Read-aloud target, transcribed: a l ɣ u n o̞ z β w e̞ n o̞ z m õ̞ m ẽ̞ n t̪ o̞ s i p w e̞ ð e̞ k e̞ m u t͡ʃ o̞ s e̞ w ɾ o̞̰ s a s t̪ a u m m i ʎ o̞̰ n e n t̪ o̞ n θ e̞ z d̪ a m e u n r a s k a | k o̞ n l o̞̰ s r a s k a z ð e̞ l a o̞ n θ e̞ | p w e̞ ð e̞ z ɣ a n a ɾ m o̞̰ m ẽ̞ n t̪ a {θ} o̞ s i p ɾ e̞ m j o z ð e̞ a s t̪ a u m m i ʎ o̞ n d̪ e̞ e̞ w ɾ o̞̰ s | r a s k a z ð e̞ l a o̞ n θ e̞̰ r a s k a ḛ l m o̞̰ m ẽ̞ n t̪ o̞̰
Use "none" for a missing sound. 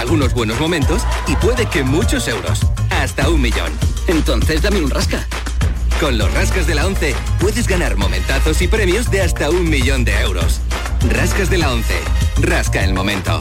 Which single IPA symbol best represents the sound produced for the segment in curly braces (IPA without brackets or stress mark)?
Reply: θ